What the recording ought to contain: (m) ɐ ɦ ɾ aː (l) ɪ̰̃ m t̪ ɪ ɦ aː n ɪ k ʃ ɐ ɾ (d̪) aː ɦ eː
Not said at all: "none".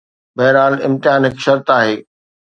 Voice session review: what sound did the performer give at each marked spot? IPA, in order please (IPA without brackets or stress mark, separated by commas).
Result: b, l, t̪